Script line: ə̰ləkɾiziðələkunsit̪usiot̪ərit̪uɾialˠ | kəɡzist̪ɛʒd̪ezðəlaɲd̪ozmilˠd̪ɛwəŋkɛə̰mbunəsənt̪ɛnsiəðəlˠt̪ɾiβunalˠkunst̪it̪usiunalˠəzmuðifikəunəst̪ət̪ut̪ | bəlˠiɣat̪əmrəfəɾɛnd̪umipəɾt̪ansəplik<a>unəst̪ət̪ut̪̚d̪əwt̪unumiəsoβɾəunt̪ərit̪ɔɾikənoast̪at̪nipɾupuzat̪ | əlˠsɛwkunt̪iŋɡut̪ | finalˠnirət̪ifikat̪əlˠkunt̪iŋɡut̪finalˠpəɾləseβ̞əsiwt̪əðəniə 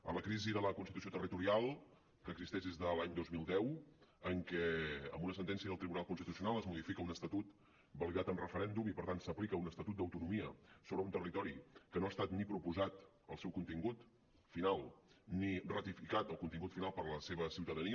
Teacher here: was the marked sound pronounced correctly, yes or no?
no